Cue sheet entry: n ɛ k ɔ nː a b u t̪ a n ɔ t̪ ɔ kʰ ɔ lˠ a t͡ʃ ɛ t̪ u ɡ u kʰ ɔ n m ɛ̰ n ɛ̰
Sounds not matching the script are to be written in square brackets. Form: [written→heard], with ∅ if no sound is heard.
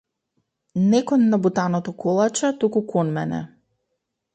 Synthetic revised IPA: n ɛ k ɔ nː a b u t̪ a n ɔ t̪ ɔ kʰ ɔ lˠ a t͡ʃ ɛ t̪ u [ɡ→k] u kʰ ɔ n m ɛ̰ n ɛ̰